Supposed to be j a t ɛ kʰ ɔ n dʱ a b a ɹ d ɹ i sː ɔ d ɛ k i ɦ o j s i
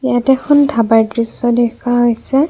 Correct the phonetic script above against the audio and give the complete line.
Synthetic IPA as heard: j a t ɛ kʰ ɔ n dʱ a b a ɹ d ɹ i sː ɔ d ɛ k a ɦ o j s ɛ